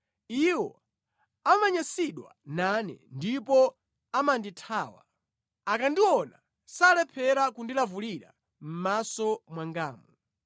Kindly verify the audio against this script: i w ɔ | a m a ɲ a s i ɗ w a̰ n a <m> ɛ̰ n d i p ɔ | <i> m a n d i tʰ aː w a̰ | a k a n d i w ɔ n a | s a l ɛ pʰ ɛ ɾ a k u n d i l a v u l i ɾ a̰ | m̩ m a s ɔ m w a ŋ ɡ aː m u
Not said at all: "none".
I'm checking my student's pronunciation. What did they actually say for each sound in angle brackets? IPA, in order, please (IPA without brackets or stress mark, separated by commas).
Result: n, a